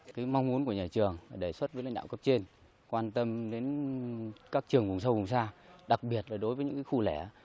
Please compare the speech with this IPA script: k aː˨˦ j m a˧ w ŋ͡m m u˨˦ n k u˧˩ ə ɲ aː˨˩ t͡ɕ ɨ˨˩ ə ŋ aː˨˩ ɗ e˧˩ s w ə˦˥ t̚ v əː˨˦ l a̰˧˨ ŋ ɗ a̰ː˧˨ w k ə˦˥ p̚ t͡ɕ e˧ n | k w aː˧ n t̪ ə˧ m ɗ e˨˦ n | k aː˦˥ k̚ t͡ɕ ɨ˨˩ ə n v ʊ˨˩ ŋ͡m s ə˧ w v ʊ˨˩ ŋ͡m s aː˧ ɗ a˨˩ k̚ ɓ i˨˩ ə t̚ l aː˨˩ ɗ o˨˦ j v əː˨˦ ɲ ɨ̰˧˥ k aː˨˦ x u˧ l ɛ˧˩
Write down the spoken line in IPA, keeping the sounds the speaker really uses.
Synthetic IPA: k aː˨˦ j m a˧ w ŋ͡m m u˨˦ n k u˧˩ ə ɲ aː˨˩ t͡ɕ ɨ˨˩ ə ŋ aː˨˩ ɗ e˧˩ s w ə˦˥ t̚ v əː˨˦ l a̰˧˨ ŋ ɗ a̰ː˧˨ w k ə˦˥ p̚ t͡ɕ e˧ n | k w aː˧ n t̪ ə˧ m ɗ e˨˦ n | k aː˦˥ k̚ t͡ɕ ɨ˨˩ ə ŋ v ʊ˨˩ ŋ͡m s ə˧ w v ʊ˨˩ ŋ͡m s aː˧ ɗ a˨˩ k̚ ɓ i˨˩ ə t̚ l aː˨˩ ɗ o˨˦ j v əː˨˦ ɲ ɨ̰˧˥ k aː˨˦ x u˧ l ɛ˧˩

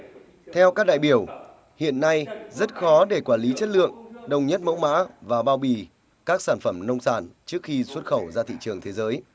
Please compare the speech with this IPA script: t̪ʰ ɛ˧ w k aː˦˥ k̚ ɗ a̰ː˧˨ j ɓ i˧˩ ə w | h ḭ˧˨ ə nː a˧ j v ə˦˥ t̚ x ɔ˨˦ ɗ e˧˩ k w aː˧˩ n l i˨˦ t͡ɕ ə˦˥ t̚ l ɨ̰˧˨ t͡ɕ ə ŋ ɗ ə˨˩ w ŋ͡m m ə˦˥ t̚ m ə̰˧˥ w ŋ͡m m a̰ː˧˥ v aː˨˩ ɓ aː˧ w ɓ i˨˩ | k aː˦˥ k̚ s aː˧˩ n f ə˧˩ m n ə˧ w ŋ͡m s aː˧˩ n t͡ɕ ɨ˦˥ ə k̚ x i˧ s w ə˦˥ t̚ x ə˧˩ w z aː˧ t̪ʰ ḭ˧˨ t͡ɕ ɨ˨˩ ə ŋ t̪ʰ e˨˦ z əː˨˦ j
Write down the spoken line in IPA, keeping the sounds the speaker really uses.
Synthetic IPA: t̪ʰ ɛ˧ w k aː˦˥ k̚ ɗ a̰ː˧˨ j ɓ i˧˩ ə w | h ḭ˧˨ ə nː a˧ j z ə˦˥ t̚ x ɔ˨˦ ɗ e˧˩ k w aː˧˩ n l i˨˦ t͡ɕ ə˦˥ t̚ l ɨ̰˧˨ ə ŋ ɗ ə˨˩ w ŋ͡m ɲ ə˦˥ t̚ m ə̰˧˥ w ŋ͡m m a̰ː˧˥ v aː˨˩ ɓ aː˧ w ɓ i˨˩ | k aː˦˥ k̚ s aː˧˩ n f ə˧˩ m n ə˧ w ŋ͡m s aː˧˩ n t͡ɕ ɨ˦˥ ə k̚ x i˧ s w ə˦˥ t̚ x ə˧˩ w z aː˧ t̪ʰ ḭ˧˨ t͡ɕ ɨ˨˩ ə ŋ t̪ʰ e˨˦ z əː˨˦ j

